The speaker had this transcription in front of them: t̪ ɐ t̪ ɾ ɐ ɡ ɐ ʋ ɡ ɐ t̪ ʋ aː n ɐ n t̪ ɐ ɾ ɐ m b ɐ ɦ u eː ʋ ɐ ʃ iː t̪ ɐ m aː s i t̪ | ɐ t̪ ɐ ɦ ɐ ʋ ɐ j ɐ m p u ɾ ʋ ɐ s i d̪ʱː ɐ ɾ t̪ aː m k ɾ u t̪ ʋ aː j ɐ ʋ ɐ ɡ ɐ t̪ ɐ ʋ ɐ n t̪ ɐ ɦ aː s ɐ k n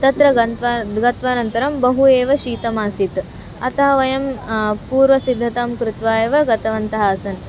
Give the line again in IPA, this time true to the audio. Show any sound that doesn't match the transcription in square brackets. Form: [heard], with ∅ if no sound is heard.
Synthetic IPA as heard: t̪ ɐ t̪ ɾ ɐ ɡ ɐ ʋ ɡ ɐ t̪ ʋ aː n ɐ n t̪ ɐ ɾ ɐ m b ɐ ɦ u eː ʋ ɐ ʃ iː t̪ ɐ m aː s i t̪ | ɐ t̪ ɐ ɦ ɐ ʋ ɐ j ɐ m p [uː] ɾ ʋ ɐ s i d̪ʱː ɐ [∅] t̪ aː m k ɾ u t̪ ʋ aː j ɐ ʋ ɐ ɡ ɐ t̪ ɐ ʋ ɐ n t̪ ɐ ɦ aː s ɐ [∅] n